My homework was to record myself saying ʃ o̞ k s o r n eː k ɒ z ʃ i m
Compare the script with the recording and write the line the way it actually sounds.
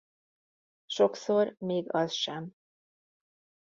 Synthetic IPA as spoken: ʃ o̞ k s o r m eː ɡ ɒ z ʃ ɛ m